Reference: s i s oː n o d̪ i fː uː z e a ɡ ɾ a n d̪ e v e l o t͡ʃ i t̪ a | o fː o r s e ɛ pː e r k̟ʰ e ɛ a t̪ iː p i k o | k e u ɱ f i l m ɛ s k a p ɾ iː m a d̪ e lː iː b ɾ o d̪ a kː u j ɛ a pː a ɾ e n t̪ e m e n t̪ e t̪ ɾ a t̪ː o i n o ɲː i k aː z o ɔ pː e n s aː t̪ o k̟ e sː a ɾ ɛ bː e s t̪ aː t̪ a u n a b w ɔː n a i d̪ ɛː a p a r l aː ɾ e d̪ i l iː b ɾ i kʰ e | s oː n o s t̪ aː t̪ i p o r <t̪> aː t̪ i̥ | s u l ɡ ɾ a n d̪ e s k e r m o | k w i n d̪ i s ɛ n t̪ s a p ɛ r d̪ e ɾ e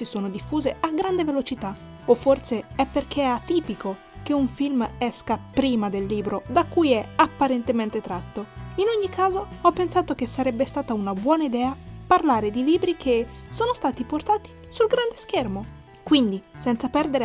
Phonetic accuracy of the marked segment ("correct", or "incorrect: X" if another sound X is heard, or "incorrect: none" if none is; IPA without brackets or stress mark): correct